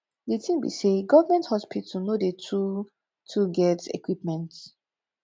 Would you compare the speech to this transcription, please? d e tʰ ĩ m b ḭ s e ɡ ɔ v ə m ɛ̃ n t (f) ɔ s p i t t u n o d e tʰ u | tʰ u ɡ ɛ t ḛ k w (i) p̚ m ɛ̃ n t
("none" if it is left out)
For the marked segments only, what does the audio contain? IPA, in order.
h, i

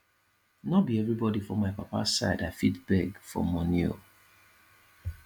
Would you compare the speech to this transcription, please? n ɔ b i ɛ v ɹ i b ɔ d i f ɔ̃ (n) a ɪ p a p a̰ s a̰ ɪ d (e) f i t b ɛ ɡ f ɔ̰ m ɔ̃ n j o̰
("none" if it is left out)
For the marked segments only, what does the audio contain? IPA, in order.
m, a

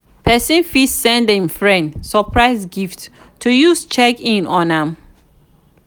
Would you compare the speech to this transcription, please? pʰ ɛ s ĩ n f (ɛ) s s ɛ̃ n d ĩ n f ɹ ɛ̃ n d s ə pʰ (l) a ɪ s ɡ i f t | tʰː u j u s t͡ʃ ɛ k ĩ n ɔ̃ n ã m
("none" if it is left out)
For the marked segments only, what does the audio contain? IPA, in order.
i, ɹ

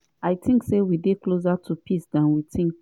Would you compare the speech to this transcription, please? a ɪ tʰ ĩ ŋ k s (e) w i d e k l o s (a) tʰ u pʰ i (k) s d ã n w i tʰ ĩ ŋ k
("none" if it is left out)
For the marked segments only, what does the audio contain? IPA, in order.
e, a, none

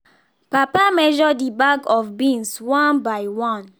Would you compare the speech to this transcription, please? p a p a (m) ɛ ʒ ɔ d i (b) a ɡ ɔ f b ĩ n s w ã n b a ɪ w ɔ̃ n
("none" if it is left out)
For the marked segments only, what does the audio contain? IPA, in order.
m, b

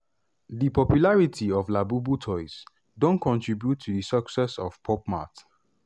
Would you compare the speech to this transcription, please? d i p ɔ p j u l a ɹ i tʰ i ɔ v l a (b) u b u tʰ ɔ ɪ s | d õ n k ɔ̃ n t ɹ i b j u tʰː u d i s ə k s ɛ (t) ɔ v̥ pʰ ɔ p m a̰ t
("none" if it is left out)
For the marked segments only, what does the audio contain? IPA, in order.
b, s

